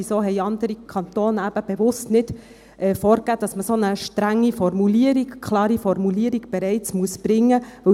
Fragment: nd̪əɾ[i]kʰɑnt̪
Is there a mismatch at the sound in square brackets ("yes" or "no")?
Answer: no